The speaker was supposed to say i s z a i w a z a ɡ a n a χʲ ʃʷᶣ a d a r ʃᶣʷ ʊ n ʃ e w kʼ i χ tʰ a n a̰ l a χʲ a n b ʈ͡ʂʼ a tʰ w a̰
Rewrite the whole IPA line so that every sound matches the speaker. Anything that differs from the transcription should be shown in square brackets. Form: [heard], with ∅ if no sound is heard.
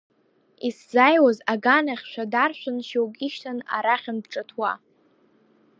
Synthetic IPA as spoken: i s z a [j] w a z a ɡ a n a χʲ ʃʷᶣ a d a r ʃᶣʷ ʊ n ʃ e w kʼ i [ʃ] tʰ a n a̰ [ɾ] a χʲ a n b ʈ͡ʂʼ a tʰ w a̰